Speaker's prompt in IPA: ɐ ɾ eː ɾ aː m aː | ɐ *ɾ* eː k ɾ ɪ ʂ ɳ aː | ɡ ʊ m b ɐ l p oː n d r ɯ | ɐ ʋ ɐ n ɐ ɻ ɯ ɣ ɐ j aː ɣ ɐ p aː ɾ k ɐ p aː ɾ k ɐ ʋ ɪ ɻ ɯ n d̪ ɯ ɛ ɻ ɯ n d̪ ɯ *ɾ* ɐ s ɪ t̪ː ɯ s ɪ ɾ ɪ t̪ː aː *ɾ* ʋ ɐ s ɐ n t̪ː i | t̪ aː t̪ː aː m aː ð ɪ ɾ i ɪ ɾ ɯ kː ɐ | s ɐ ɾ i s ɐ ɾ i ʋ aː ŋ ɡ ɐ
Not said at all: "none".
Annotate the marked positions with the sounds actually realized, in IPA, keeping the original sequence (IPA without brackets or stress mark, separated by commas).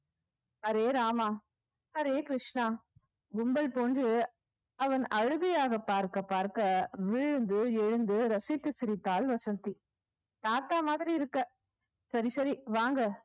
ɾ, ɾ, l